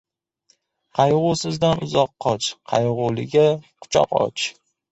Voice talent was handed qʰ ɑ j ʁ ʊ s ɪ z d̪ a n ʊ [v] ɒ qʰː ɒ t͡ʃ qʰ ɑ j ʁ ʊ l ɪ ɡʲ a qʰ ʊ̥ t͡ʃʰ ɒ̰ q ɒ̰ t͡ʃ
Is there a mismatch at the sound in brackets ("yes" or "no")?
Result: yes